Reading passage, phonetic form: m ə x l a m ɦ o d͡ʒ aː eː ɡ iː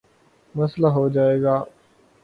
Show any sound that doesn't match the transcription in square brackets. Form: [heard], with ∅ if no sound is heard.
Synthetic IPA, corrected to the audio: m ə [s] l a [∅] ɦ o d͡ʒ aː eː ɡ [aː]